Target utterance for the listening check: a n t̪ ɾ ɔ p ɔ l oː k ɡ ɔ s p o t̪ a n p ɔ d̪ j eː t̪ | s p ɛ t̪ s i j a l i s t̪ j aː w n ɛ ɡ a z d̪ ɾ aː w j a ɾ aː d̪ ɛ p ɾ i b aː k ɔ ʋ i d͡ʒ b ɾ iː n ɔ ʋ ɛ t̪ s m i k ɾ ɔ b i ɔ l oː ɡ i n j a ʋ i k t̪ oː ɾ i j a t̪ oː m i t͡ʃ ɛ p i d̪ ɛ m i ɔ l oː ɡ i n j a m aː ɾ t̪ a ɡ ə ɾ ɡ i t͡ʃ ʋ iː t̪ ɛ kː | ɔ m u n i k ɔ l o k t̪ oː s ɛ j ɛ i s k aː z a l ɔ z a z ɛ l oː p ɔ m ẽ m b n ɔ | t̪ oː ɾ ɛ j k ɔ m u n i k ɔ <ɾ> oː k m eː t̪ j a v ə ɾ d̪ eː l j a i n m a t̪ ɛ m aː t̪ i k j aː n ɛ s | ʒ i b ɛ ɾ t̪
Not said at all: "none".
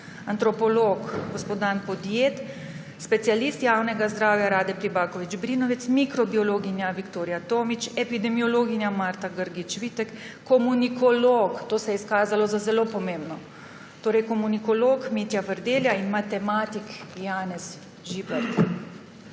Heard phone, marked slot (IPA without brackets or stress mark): l